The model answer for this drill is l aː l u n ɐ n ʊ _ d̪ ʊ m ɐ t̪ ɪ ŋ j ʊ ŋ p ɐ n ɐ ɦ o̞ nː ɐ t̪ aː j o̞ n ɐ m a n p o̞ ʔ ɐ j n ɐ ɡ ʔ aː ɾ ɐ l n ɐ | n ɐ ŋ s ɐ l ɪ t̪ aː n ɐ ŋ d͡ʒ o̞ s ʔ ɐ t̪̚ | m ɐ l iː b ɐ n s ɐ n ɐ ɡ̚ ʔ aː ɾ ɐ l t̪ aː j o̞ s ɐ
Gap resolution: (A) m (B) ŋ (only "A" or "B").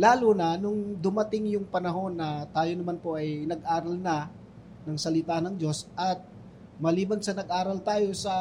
B